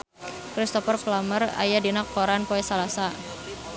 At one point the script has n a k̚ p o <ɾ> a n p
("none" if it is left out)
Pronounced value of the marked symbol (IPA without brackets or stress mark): ɾ